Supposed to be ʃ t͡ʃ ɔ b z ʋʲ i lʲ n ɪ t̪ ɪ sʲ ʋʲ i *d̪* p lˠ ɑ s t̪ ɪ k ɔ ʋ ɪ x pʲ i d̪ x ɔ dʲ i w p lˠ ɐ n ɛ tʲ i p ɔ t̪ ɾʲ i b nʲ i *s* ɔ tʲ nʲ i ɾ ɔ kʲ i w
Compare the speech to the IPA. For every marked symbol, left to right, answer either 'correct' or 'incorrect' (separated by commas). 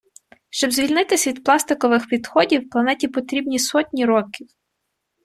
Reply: correct, correct